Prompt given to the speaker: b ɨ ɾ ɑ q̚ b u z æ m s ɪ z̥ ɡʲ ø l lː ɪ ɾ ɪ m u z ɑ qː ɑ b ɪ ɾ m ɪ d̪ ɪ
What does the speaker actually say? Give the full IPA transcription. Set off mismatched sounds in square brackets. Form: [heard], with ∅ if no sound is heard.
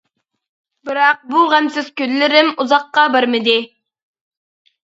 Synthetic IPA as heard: b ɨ ɾ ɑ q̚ b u [ʁ] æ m s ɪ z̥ [kʲ] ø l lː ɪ ɾ ɪ m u z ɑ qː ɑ b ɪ ɾ m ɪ d̪ ɪ